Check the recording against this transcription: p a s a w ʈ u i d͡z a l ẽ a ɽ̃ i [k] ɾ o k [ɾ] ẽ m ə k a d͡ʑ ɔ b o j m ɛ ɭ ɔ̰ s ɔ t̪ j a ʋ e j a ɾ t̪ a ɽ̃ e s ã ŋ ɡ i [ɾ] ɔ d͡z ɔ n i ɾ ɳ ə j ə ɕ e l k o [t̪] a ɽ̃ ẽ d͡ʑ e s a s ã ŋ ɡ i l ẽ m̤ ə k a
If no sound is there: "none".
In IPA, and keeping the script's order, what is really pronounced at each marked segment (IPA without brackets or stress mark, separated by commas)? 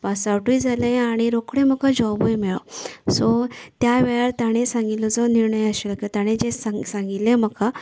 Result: none, ɽ, l, t̪